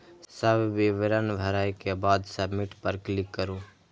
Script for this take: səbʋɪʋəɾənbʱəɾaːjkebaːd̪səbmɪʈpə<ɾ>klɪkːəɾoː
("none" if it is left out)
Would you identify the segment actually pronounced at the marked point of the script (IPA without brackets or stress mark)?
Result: ɾ